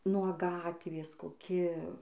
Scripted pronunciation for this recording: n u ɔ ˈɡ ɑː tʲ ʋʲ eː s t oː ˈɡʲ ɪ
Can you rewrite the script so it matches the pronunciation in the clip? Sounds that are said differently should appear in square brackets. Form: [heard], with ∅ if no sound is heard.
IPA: n u ɔ ˈɡ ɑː tʲ ʋʲ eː s [k] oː [ˈkʲ] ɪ

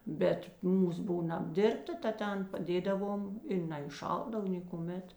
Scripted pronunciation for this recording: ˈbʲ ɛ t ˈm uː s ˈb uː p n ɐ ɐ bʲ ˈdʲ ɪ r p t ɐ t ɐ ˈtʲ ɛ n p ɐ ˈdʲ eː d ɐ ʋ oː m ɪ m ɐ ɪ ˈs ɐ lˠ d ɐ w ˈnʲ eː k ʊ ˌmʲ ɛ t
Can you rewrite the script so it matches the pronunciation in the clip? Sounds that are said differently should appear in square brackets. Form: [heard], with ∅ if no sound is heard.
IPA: ˈbʲ ɛ t ˈm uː s ˈb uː [∅] n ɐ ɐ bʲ ˈdʲ ɪ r p t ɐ t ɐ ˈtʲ ɛ n p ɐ ˈdʲ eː d ɐ ʋ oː m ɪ [n] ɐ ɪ [ˈʃ] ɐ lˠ d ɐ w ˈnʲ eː k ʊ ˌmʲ ɛ t

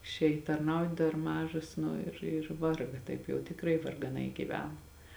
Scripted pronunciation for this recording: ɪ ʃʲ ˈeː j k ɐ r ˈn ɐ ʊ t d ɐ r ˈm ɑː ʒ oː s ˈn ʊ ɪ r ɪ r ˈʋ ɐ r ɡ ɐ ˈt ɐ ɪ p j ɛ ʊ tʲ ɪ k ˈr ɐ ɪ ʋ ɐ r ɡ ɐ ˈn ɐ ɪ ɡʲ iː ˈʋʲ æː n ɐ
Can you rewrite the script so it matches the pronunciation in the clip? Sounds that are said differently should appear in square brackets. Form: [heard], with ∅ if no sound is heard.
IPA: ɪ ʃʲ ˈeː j [t] ɐ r ˈn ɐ ʊ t d ɐ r ˈm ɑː ʒ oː s ˈn ʊ ɪ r ɪ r ˈʋ ɐ r ɡ ɐ ˈt ɐ ɪ p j ɛ ʊ tʲ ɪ k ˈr ɐ ɪ ʋ ɐ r ɡ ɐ ˈn ɐ ɪ ɡʲ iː ˈʋʲ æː n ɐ

